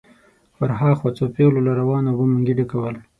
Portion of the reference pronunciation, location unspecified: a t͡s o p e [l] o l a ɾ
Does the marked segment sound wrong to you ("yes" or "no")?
no